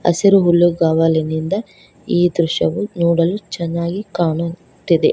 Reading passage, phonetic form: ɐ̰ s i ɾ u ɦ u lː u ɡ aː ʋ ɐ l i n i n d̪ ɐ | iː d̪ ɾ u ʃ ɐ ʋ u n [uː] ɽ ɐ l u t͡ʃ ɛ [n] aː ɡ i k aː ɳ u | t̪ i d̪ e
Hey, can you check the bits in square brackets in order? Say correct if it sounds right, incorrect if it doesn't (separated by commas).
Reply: correct, incorrect